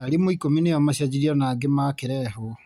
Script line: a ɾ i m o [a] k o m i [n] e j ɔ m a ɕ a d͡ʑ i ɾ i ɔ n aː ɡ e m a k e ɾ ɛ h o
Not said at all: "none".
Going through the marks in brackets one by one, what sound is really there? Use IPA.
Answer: i, n

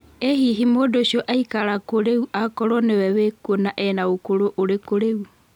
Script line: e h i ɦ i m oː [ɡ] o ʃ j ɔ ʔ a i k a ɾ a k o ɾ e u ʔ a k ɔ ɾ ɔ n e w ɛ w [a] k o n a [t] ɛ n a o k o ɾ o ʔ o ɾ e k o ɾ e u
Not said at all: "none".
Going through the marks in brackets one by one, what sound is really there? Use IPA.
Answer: d, e, ʔ

